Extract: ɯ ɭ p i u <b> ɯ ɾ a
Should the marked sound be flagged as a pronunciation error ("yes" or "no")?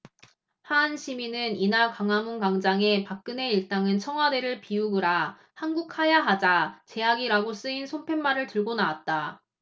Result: yes